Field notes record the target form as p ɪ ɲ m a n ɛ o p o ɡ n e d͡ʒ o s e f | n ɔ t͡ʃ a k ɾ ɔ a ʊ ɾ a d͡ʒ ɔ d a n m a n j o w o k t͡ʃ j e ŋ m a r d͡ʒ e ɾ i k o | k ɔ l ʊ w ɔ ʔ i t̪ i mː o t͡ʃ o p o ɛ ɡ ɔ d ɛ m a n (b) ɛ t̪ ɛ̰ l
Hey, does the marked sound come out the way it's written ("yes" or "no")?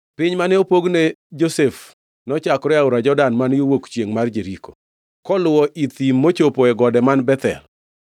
yes